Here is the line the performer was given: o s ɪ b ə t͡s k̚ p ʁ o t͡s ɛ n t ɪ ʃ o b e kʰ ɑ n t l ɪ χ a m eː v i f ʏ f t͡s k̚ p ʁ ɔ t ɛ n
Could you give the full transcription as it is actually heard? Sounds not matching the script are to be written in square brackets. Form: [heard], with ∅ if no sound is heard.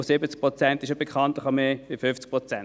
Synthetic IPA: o s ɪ b ə t͡s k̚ p ʁ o t͡s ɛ n t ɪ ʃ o b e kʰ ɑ n t l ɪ χ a m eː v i f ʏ f t͡s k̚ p ʁ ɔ [t͡s] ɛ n